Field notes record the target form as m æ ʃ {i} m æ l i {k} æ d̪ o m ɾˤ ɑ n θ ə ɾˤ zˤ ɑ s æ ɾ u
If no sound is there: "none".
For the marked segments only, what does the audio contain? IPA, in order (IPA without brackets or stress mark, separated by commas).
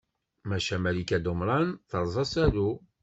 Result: æ, k